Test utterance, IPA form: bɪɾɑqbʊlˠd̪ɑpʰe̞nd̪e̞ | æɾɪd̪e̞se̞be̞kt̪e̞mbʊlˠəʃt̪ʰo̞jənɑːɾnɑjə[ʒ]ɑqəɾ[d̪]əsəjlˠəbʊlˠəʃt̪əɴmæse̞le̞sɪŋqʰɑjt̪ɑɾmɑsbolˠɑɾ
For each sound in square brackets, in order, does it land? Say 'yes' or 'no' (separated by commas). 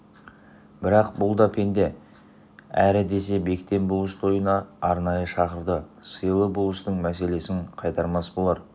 no, yes